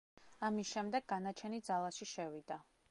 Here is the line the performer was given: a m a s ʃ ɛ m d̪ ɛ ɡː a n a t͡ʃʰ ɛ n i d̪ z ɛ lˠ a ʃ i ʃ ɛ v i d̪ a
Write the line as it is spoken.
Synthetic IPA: a m i s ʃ ɛ m d̪ ɛ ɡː a n a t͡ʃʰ ɛ n i d̪ z a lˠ a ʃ i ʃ ɛ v i d̪ a